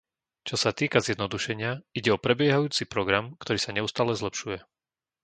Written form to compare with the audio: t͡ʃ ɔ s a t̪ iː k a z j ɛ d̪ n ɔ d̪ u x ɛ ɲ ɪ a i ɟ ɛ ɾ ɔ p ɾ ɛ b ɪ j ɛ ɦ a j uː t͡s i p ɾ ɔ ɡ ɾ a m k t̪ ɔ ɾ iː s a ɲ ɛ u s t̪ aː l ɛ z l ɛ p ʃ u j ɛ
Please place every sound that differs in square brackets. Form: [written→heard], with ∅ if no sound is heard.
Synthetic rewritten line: t͡ʃ ɔ s a t̪ iː k a z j ɛ d̪ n ɔ d̪ u [x→ʃ] ɛ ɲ ɪ a i ɟ ɛ [ɾ→∅] ɔ p ɾ ɛ b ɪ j ɛ ɦ a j uː t͡s i p ɾ ɔ ɡ ɾ a m k t̪ ɔ ɾ iː s a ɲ ɛ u s t̪ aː l ɛ z l ɛ p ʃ u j ɛ